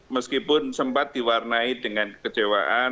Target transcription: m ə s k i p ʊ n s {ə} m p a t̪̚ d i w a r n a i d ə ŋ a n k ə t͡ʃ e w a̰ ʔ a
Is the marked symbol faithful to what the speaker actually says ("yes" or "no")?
yes